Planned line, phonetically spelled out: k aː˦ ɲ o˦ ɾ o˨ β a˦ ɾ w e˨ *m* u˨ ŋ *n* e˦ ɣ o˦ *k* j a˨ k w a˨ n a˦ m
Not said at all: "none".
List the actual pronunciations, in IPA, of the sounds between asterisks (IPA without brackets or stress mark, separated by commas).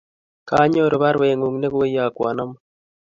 ŋ, n, none